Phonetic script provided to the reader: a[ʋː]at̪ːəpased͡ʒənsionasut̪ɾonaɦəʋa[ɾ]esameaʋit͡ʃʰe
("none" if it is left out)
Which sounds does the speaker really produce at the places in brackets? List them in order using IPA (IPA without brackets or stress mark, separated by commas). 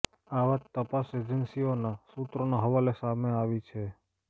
ʋ, l